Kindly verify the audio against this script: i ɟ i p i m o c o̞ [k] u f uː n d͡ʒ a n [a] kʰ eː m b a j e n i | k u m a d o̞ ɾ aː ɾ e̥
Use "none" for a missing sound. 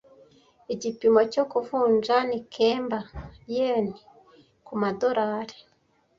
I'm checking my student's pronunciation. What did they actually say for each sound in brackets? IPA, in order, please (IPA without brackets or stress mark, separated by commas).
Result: k, i